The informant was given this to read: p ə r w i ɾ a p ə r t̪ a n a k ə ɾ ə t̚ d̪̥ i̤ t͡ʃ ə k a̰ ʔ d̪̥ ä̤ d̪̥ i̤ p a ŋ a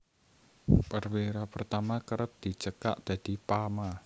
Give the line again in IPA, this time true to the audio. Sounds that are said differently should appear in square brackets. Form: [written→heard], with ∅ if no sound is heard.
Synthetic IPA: p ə r w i ɾ a p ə r t̪ a [n→m] a k ə ɾ ə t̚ d̪̥ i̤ t͡ʃ ə k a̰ ʔ d̪̥ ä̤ d̪̥ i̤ p a [ŋ→m] a